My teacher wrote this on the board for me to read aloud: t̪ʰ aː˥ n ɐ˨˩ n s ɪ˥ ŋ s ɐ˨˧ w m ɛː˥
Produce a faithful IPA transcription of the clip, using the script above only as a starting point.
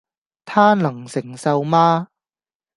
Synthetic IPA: t̪ʰ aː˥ n ɐ˨˩ ŋ s ɪ˨˩ ŋ s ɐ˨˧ w m aː˥